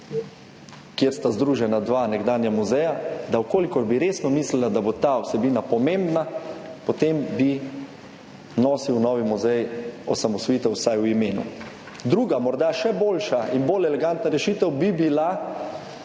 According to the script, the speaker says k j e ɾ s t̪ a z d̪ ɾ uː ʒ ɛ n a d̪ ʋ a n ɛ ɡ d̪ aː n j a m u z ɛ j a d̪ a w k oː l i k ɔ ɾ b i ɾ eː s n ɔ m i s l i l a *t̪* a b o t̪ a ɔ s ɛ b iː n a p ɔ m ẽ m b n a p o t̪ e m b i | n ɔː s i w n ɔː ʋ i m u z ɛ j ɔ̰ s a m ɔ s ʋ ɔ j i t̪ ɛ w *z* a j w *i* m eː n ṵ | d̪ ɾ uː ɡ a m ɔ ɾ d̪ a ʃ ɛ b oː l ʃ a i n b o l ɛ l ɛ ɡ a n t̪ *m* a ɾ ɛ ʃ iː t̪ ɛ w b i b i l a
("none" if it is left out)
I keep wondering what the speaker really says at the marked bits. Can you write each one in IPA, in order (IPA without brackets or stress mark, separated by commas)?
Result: d̪, s, i, n